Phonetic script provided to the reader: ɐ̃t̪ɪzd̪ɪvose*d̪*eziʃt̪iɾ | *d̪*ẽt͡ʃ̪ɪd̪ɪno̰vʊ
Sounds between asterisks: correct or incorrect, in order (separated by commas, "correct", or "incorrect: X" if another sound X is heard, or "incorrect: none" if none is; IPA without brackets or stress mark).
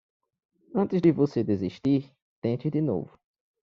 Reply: correct, incorrect: t̪